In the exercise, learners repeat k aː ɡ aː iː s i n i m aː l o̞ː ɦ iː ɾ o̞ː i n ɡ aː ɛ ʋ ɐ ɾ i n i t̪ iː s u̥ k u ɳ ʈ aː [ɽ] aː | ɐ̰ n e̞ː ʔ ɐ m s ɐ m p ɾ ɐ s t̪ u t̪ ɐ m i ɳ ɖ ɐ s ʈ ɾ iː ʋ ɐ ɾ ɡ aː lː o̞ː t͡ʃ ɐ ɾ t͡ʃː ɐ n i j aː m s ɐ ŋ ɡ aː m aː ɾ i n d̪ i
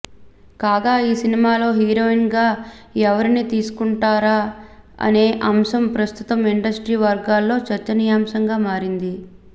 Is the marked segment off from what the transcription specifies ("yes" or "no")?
yes